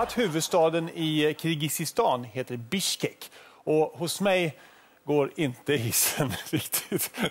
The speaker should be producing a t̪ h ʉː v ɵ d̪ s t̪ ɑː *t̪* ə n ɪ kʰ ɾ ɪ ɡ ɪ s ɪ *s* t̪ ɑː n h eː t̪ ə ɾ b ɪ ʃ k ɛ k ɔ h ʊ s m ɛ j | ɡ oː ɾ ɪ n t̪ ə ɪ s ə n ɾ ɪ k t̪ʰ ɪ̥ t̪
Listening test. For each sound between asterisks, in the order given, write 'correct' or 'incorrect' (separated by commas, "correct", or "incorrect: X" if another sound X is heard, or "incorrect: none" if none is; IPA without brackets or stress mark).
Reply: incorrect: d̪, correct